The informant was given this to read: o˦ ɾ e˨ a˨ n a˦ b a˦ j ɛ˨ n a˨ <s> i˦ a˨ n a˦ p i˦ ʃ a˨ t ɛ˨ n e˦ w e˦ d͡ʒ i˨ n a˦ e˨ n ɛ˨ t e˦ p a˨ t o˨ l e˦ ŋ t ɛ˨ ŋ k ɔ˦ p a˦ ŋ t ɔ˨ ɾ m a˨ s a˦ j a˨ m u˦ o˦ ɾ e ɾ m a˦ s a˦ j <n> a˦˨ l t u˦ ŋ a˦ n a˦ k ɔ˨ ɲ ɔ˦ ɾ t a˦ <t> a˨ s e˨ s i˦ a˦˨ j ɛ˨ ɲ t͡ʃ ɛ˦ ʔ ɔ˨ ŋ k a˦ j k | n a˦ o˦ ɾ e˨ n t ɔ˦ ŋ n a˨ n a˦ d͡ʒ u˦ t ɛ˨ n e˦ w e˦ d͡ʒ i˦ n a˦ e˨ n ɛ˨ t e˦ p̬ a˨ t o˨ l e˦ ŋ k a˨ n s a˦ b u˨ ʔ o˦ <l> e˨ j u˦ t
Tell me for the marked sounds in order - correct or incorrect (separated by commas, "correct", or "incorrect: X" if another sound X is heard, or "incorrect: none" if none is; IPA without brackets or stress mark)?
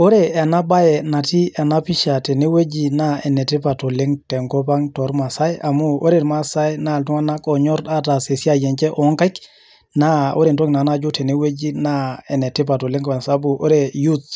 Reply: incorrect: t, correct, correct, incorrect: ɾ